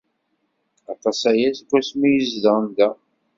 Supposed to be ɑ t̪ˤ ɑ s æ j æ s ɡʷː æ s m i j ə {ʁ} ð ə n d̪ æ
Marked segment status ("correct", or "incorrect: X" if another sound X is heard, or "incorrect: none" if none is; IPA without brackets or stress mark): incorrect: z